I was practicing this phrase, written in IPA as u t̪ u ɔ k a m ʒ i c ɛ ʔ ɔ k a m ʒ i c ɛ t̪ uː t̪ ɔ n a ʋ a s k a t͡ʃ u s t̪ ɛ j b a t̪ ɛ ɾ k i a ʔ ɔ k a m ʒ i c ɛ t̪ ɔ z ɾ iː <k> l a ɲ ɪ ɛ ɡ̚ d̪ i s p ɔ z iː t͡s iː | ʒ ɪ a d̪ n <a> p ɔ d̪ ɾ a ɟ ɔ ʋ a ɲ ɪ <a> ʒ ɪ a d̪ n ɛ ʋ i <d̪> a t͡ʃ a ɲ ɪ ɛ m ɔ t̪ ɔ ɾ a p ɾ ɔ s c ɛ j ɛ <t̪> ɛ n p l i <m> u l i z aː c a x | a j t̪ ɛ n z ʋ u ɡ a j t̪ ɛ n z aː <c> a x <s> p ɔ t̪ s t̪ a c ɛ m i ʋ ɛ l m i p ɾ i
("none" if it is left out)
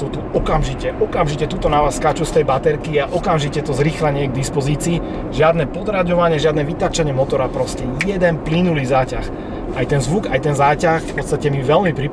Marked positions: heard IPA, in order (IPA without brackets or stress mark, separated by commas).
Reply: x, ɛ, ɛ, t̪, d̪, n, c, f